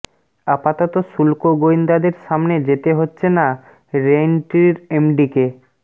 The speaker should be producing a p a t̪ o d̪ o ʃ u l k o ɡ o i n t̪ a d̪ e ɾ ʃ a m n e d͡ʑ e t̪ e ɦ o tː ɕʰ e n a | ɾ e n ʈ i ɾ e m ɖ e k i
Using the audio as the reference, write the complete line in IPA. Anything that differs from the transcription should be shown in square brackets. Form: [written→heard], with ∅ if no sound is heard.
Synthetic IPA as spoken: a p a t̪ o [d̪→t̪] o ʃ u l k o ɡ o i n [t̪→d̪] a d̪ e ɾ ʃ a m n e d͡ʑ e t̪ e ɦ o tː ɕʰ e n a | ɾ e n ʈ i ɾ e m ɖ [e→i] k [i→e]